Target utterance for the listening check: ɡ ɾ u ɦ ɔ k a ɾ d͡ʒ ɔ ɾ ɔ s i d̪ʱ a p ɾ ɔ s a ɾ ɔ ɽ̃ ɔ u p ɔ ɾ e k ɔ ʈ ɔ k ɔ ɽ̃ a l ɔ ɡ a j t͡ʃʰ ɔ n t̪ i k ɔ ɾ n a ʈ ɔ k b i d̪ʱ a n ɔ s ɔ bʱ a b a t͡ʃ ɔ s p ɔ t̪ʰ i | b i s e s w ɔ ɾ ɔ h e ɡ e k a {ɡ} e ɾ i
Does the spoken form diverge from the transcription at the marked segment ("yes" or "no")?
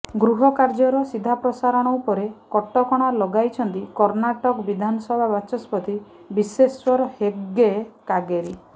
no